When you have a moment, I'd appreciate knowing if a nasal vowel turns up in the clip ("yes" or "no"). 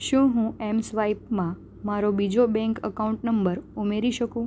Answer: yes